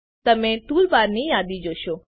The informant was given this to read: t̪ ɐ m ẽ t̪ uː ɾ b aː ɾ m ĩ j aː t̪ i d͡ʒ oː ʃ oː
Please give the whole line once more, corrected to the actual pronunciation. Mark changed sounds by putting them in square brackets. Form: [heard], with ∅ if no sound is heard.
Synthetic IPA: t̪ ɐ m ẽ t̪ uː [l] b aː ɾ [n] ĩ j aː [d̪] i d͡ʒ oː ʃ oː